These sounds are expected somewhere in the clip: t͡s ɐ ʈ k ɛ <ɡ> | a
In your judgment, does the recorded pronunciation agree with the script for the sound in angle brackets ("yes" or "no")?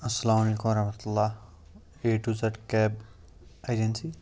no